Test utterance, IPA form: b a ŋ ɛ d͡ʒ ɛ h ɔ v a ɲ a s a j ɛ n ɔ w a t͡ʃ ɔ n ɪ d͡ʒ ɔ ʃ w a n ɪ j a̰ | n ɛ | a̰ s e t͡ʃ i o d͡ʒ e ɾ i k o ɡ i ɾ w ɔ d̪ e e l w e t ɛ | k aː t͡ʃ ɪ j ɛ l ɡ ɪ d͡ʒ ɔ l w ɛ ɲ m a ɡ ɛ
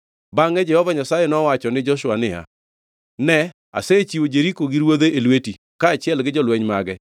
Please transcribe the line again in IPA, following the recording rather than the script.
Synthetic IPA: b a ŋ ɛ d͡ʒ ɛ h ɔ v a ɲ a s a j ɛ n ɔ w a t͡ʃ ɔ n ɪ d͡ʒ ɔ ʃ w a n ɪ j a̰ | n ɛ | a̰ s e t͡ʃ i o d͡ʒ e ɾ i k o ɡ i ɾ w o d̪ e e l w e t i | k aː t͡ʃ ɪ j ɛ l ɡ ɪ d͡ʒ ɔ l w ɛ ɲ m a ɡ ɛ